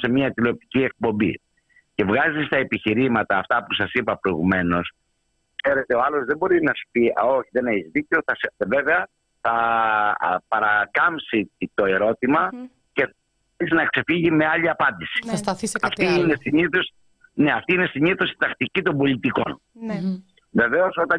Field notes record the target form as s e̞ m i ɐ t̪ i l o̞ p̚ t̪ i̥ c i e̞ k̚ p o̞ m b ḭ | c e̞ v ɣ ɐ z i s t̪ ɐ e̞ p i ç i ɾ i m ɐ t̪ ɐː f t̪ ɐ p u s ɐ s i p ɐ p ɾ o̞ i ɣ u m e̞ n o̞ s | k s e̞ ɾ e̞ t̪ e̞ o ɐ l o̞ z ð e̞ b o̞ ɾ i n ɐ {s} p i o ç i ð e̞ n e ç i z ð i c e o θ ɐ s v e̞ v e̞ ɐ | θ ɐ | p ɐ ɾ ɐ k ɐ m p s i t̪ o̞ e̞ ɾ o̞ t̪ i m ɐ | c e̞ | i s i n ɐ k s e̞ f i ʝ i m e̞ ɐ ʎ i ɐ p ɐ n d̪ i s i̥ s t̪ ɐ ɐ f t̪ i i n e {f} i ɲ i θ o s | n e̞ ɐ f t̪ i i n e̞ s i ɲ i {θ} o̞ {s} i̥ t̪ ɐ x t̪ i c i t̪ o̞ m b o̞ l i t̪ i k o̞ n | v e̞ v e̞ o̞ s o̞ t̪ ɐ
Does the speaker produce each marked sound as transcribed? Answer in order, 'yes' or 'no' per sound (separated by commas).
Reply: yes, no, yes, yes